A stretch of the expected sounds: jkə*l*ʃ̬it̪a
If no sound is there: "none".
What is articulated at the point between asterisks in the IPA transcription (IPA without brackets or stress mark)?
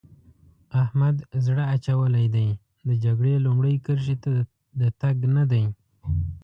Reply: ɾ